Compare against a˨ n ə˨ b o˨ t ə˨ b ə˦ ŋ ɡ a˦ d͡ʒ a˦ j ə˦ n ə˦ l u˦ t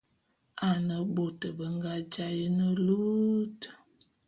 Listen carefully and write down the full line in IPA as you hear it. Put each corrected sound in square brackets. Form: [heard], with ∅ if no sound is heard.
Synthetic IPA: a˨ n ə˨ b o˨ t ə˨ b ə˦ ŋ ɡ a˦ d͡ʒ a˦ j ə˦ n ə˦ l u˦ t